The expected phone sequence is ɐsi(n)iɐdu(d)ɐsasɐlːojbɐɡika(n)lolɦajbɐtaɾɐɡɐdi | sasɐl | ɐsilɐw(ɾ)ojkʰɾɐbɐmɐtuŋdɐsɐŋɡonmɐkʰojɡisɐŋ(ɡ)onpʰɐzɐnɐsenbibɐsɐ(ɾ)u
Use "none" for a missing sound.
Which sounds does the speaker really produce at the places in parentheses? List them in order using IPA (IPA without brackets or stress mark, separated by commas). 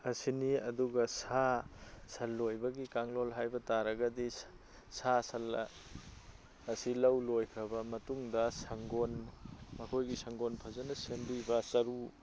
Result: n, ɡ, ŋ, l, ɡ, ɾ